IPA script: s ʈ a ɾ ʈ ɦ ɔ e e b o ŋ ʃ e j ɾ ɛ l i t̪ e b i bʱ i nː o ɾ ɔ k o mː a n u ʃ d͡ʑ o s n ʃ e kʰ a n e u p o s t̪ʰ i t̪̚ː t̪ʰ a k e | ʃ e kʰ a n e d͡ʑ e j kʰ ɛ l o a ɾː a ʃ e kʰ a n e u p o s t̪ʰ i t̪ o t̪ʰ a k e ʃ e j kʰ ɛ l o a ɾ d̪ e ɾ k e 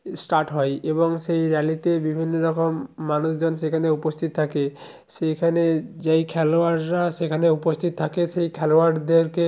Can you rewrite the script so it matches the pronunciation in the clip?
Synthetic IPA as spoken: s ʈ a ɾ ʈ ɦ ɔ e e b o ŋ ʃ e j ɾ ɛ l i t̪ e b i bʱ i nː o ɾ ɔ k o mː a n u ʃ d͡ʑ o n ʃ e kʰ a n e u p o s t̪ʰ i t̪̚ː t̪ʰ a k e | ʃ e kʰ a n e d͡ʑ e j kʰ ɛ l o a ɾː a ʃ e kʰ a n e u p o s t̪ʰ i t̪ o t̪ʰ a k e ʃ e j kʰ ɛ l o a ɾ d̪ e ɾ k e